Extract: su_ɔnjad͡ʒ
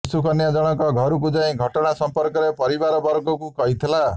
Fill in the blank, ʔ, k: k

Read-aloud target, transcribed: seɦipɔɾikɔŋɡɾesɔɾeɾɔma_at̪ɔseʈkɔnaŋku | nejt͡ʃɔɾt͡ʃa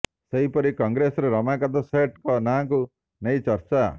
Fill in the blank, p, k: k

